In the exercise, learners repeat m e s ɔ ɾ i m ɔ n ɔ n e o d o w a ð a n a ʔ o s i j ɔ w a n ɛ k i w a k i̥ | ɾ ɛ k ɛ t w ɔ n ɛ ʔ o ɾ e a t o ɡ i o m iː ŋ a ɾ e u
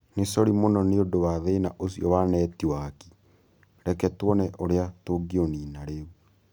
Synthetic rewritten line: n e s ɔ ɾ i m o n ɔ n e o d o w a ð e n a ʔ o s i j ɔ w a n ɛ t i w a k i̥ | ɾ ɛ k ɛ t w ɔ n ɛ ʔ o ɾ e a t o ɡ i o n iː n a ɾ e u